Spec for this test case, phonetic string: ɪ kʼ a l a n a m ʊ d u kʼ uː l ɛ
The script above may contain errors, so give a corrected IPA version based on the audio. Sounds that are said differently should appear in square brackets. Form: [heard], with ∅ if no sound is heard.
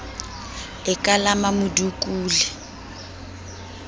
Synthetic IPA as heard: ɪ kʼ a l a [m] a m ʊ d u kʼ uː l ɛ